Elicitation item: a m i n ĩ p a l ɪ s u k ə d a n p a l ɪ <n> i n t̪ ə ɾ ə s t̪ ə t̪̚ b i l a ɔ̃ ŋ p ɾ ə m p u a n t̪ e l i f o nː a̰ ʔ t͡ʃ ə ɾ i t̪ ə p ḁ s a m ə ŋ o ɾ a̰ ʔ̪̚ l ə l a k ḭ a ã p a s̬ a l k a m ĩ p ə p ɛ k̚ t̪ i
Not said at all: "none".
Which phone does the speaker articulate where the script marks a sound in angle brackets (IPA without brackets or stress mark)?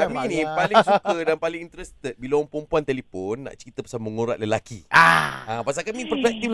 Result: ŋ